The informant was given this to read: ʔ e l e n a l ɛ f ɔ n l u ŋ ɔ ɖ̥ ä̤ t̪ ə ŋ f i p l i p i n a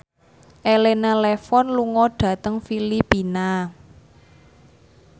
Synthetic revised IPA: ʔ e l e n a l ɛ f ɔ n l u ŋ ɔ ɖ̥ ä̤ t̪ ə ŋ f i l i p i n a